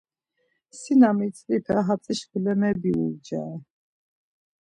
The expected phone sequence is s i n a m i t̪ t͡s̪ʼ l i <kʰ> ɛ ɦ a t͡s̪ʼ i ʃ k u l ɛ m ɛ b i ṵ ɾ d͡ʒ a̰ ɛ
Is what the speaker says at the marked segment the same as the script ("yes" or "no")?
no